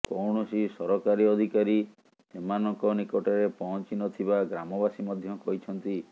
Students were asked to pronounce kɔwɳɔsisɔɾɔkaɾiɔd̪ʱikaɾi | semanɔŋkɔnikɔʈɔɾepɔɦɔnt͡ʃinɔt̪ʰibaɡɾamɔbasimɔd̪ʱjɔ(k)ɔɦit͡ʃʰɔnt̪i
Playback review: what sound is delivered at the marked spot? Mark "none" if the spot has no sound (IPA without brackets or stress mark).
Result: k